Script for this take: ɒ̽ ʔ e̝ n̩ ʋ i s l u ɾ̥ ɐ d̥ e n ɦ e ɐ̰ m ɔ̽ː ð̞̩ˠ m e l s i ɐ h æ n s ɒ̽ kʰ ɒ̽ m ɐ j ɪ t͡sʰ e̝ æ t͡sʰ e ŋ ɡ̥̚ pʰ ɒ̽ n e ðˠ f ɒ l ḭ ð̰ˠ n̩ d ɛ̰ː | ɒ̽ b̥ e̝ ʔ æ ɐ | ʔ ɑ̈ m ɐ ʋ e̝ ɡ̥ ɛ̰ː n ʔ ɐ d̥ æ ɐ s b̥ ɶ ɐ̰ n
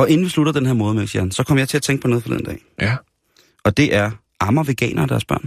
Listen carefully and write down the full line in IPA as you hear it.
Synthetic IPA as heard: ɒ̽ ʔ e̝ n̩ ʋ i s l u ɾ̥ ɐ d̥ e n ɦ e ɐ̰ m ɔ̽ː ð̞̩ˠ m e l s i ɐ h æ n s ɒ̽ kʰ ɒ̽ m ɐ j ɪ t͡sʰ e̝ æ t͡sʰ e ŋ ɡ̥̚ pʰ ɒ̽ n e ðˠ f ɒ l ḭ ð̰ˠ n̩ d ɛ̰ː | ɒ̽ d̥ e̝ ʔ æ ɐ | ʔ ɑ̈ m ɐ ʋ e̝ ɡ̥ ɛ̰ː n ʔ ɐ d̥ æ ɐ s b̥ ɶ ɐ̰ n